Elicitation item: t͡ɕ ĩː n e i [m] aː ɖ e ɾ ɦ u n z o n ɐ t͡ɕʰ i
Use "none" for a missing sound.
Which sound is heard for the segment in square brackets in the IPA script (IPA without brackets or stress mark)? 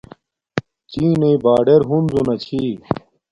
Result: b